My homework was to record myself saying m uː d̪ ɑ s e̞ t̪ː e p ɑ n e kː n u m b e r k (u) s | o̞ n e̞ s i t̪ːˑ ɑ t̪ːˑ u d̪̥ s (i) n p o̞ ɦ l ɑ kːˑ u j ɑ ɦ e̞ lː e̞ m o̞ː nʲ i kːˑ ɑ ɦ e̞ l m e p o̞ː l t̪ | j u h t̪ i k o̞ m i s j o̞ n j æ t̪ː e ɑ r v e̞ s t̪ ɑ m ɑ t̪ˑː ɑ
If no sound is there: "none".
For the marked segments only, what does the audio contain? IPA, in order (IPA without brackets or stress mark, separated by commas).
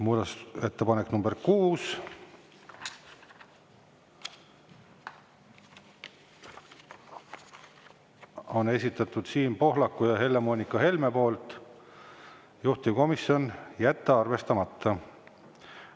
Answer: uː, iː